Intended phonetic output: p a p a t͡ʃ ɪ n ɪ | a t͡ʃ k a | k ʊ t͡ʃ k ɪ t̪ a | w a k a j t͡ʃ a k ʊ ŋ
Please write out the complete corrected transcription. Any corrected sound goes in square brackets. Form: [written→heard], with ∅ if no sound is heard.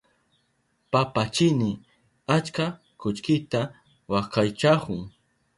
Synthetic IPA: p a p a t͡ʃ ɪ n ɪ | a t͡ʃ k a | k ʊ t͡ʃ k ɪ t̪ a | w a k a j t͡ʃ a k ʊ ŋ